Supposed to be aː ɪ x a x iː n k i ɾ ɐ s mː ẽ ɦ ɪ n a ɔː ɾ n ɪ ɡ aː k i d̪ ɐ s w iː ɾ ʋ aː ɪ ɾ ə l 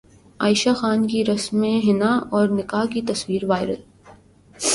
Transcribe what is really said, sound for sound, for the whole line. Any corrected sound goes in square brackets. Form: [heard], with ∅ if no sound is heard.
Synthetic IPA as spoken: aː ɪ [ʃ] a x [aː] n k i ɾ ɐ s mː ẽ ɦ ɪ n a ɔː ɾ n ɪ [k] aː k i [t̪] ɐ s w iː ɾ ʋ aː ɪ ɾ ə l